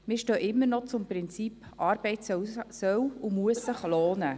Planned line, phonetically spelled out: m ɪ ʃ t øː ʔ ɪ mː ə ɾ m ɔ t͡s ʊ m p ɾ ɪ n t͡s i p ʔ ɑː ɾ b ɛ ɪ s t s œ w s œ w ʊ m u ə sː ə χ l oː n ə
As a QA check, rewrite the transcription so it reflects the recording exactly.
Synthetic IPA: m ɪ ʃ t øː ʔ ɪ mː ə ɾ n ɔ t͡s ʊ m p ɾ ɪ n t͡s i p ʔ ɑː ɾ b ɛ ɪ t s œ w s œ w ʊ m u ə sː ə χ l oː n ə